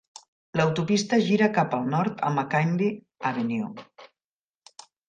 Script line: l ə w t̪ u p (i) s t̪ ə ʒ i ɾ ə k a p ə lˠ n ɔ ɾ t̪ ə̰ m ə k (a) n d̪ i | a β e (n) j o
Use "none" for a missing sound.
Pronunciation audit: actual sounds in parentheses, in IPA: i, a, n

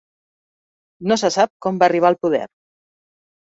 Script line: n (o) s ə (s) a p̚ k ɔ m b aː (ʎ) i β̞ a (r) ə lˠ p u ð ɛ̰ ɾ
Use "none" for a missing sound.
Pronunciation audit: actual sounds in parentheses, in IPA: o, s, r, none

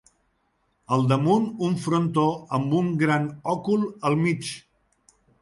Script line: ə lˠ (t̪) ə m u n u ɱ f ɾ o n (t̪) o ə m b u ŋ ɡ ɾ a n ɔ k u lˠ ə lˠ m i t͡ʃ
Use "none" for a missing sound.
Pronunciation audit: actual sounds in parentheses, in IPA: d̪, t̪

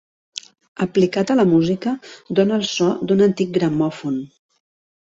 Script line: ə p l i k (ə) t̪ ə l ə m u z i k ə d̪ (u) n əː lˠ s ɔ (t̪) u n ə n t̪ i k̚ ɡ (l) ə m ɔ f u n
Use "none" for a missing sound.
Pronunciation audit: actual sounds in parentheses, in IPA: a, o, d̪, ɾ

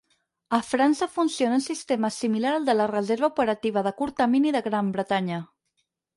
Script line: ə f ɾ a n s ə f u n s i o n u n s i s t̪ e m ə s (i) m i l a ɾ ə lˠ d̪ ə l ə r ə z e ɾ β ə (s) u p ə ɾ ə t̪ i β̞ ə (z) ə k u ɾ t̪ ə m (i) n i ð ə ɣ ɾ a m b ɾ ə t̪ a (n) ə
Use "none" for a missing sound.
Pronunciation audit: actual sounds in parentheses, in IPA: i, none, ð, i, ɲ

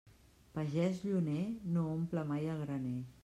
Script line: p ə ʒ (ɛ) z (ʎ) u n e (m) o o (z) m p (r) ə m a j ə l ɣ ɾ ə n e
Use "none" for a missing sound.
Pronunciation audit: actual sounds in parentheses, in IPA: ɛ, ʎ, n, none, l

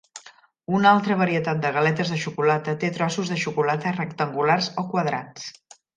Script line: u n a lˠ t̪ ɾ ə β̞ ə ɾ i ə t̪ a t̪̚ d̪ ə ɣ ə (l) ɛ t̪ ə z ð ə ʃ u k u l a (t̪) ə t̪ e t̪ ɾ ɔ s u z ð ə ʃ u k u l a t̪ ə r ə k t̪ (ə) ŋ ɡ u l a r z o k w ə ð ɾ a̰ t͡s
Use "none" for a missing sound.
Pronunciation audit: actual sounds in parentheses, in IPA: l, t̪, ə

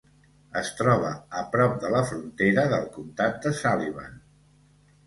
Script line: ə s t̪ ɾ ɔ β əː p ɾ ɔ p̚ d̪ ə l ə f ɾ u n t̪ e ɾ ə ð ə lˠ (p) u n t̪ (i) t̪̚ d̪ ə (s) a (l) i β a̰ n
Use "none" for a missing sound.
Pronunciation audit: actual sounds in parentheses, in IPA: k, a, s, l

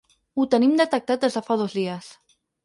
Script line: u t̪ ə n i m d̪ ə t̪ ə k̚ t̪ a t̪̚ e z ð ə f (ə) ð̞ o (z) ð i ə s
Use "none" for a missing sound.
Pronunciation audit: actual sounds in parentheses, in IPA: a, z

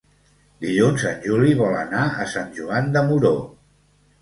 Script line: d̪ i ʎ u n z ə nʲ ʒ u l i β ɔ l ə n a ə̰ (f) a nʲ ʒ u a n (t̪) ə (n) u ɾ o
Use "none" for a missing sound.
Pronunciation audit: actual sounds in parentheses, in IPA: s, d̪, m

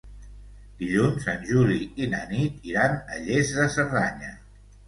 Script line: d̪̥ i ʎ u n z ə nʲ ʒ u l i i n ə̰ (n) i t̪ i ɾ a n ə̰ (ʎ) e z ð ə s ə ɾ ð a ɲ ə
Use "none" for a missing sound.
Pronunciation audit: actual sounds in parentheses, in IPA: n, ʎ

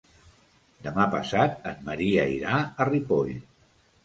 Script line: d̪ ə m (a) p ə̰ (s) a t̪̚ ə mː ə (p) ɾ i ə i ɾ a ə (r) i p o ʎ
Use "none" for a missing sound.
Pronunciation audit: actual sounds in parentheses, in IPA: a, s, none, r

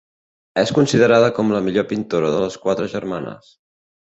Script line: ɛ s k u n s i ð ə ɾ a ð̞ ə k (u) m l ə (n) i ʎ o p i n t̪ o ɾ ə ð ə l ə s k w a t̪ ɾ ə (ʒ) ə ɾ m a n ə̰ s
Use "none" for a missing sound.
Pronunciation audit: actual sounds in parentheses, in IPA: ɔ, m, ʒ

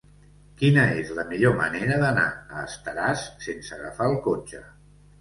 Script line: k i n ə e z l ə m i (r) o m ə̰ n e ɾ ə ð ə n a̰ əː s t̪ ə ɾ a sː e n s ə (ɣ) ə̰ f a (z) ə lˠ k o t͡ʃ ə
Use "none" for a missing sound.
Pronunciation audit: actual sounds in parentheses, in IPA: ʎ, ɣ, none

